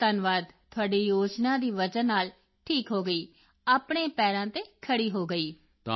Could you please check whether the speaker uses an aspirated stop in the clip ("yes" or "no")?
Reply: yes